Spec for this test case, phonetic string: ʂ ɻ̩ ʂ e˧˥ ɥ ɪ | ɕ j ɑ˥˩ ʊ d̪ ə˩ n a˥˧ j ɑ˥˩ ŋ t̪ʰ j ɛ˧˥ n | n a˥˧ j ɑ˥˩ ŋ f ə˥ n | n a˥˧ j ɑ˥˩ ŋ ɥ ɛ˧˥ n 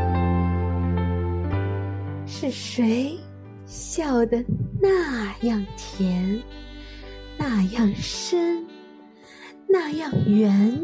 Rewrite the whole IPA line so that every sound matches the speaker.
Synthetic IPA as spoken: ʂ ɻ̩ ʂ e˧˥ ɪ | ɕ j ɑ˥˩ ʊ d̪ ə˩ n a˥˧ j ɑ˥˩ ŋ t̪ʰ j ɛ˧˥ n | n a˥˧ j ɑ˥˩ ŋ ʂ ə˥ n | n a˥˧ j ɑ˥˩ ŋ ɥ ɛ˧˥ n